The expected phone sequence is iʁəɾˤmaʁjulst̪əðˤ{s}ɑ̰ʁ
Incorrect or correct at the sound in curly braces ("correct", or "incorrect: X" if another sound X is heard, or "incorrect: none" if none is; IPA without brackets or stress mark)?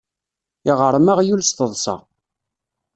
correct